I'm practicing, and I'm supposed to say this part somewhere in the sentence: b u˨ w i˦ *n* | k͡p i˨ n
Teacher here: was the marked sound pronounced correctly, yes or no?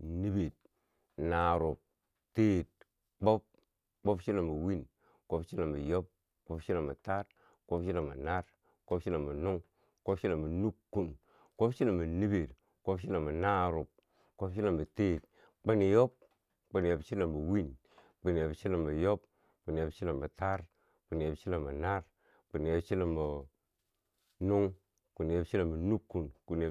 yes